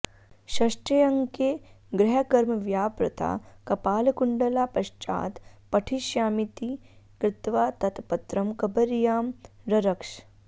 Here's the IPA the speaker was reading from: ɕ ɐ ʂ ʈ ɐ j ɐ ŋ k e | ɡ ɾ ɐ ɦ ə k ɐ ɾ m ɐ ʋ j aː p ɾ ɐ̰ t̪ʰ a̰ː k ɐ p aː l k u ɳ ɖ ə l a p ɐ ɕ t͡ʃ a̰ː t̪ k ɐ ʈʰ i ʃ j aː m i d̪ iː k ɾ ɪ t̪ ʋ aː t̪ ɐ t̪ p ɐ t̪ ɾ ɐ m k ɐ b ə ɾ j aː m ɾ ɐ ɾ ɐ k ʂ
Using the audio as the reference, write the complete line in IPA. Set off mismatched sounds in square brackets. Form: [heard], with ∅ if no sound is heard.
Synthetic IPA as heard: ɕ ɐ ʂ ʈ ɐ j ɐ ŋ k e | ɡ ɾ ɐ ɦ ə k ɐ ɾ m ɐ ʋ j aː p ɾ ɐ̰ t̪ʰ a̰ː k ɐ p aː l k u ɳ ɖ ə l a p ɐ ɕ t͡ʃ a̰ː t̪ [p] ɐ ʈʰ i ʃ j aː m i [t̪] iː k ɾ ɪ t̪ ʋ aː t̪ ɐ t̪ p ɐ t̪ ɾ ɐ m k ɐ b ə ɾ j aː m ɾ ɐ ɾ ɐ k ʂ